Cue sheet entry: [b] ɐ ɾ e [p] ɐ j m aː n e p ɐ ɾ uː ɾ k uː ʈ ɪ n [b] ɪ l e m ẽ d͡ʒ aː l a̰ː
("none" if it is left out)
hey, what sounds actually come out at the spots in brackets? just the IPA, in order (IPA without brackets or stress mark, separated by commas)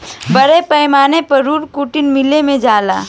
b, p, m